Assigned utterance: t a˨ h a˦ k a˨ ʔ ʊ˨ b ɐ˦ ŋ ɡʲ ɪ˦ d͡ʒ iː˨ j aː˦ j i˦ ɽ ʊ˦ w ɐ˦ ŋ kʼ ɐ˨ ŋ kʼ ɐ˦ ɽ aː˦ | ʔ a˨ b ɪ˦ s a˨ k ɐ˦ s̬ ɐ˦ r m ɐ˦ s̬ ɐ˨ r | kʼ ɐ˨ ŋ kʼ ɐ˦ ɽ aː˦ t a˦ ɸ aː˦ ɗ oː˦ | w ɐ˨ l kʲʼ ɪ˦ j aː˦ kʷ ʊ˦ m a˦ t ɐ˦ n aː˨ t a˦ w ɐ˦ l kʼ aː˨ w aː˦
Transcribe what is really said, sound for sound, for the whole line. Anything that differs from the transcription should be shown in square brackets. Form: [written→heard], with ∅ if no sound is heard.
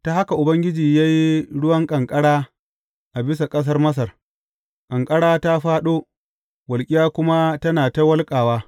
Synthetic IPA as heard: t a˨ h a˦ k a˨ ʔ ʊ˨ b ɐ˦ ŋ ɡʲ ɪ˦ d͡ʒ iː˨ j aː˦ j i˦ ɽ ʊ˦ w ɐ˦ ŋ kʼ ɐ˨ ŋ kʼ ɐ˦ ɽ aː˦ | ʔ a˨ b ɪ˦ s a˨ [k→kʼ] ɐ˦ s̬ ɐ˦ r m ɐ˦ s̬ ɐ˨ r | kʼ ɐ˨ ŋ kʼ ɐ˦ ɽ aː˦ t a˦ ɸ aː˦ ɗ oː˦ | w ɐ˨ l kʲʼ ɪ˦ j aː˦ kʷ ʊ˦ m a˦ t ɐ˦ n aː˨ t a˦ w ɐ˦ l kʼ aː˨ w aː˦